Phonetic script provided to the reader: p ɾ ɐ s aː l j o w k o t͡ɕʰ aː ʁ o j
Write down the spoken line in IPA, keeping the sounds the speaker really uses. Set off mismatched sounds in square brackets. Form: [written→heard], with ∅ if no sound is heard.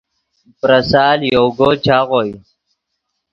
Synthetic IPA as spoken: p ɾ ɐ s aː l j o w [k→ɡ] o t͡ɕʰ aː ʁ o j